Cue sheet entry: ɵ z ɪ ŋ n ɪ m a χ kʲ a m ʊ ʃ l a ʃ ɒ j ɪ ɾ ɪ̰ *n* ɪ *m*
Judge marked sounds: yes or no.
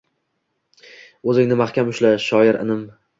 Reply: yes, yes

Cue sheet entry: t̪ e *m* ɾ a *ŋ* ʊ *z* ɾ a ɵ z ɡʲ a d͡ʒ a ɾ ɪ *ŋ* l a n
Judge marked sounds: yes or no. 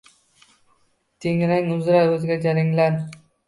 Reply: no, yes, yes, yes

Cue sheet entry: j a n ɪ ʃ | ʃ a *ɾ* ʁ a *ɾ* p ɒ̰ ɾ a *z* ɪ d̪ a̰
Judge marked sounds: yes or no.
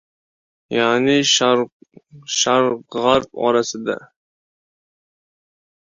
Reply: yes, yes, no

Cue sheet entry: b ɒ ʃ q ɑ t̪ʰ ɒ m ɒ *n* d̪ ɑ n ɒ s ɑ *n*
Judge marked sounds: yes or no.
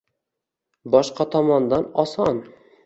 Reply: yes, yes

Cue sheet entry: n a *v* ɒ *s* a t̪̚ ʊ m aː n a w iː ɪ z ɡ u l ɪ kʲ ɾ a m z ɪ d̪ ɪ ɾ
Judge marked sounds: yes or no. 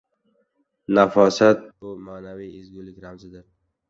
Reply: no, yes

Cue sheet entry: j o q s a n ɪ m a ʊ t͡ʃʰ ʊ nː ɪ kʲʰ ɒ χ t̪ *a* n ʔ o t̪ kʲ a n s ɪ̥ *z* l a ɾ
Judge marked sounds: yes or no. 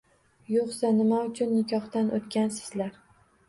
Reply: yes, yes

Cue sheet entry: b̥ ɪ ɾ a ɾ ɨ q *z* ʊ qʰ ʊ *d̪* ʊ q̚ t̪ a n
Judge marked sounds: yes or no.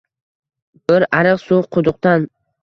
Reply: no, yes

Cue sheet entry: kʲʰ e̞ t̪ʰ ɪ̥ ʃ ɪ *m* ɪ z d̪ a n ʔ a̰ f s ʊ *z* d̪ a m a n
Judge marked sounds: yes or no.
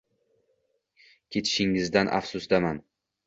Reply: no, no

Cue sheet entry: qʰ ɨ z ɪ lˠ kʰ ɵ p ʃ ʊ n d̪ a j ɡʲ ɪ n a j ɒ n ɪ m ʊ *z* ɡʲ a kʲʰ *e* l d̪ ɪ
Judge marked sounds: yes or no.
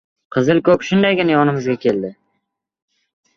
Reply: yes, yes

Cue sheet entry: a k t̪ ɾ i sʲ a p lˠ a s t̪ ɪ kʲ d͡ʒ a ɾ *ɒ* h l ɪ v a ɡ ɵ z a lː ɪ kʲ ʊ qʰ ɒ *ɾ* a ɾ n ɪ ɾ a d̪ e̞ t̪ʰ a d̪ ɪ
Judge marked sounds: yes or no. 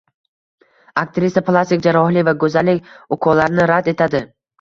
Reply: yes, no

